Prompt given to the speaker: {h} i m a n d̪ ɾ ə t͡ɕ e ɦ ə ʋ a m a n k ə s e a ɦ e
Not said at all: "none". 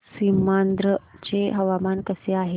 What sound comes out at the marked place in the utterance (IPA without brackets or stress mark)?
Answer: s